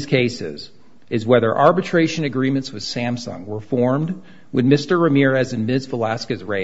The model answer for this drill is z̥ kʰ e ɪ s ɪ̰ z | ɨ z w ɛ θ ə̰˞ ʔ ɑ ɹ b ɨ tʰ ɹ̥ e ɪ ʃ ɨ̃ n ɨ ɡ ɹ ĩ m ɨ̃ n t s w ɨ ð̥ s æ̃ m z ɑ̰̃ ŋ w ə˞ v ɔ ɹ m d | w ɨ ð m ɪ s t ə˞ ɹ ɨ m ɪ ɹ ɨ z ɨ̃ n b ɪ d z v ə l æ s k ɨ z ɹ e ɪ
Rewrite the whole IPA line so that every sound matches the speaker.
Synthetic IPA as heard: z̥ kʰ e ɪ s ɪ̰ z | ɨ z w ɛ ð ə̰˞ ʔ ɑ ɹ b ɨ tʰ ɹ̥ e ɪ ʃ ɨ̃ n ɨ ɡ ɹ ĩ m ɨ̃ n t s w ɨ ð̥ s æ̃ m s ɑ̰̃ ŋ w ə˞ f ɔ ɹ m d | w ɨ ð m ɪ s t ə˞ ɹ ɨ m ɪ ɹ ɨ z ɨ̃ n m ɪ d z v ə l æ s k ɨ z ɹ e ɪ